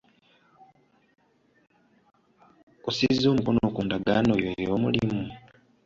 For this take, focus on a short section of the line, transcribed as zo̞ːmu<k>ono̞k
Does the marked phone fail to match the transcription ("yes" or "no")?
no